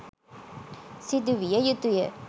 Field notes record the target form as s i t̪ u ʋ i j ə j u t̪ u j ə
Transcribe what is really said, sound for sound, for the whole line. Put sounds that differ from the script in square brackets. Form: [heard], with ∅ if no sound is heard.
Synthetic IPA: s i [d̪] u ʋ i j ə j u t̪ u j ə